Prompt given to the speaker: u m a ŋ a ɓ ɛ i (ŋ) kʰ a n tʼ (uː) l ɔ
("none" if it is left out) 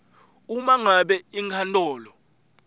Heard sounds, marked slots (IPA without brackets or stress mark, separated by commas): ŋ, ɔː